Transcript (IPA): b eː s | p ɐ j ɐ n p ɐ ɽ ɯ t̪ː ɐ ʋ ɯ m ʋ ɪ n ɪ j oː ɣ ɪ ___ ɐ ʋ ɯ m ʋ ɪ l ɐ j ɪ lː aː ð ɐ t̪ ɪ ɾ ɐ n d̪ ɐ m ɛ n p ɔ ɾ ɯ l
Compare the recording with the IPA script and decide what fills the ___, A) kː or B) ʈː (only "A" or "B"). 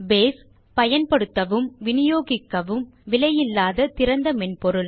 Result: A